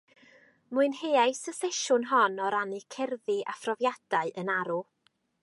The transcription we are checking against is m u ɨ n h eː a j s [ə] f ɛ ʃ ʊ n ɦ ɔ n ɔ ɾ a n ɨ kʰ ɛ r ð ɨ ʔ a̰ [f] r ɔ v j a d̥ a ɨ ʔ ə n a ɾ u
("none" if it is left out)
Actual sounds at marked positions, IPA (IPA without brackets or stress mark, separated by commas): ə, f